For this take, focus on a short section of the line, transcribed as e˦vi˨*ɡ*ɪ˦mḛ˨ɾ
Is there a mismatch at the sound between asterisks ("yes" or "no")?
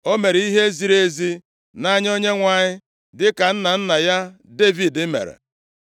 yes